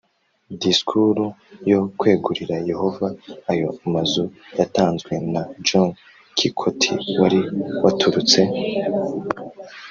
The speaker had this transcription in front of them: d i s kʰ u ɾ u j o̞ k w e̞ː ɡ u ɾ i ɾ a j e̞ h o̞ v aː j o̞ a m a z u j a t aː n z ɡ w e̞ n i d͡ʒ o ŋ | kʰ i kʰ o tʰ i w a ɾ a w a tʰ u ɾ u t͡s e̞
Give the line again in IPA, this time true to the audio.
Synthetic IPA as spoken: d i s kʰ u ɾ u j o̞ k w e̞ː ɡ u ɾ i ɾ a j e̞ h o̞ v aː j o̞ a m a z u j a t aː n z ɡ w e̞ n a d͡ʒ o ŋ | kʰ i kʰ o tʰ i w a ɾ i w a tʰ u ɾ u t͡s e̞